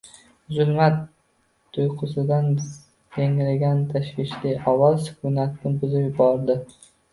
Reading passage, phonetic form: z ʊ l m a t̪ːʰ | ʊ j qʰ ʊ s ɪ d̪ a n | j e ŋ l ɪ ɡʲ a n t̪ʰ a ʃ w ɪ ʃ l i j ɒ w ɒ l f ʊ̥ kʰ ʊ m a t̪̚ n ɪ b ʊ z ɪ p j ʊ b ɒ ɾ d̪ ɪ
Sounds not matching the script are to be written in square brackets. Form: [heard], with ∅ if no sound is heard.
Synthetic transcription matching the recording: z ʊ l m a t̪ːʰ | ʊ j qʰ ʊ s ɪ d̪ a n | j e ŋ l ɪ ɡʲ a n t̪ʰ a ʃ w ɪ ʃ l i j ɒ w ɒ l [s] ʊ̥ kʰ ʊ [n] a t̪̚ n ɪ b ʊ z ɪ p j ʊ b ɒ ɾ d̪ ɪ